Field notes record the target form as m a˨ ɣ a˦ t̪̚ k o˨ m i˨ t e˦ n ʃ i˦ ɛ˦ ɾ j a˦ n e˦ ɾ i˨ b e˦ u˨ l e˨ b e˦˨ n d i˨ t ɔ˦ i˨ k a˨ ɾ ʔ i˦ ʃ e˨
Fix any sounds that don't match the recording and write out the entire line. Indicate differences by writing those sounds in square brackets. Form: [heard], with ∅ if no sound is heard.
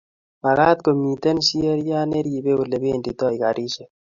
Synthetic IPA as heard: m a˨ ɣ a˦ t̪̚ k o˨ m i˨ t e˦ n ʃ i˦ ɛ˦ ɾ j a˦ n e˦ ɾ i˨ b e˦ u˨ l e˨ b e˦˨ n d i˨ t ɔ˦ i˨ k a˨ ɾ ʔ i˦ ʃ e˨